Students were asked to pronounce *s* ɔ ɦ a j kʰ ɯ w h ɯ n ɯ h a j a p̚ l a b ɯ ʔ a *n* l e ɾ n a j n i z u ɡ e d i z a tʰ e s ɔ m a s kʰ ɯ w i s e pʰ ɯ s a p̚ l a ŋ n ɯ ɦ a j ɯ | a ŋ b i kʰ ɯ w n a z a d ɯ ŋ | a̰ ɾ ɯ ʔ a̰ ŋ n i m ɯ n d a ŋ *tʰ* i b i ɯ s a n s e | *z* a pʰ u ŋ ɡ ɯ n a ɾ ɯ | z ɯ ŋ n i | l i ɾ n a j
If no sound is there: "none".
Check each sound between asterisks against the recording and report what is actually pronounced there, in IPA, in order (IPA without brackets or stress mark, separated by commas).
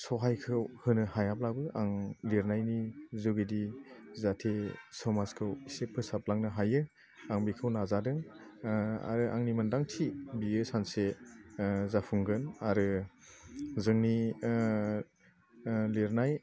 s, ŋ, tʰ, z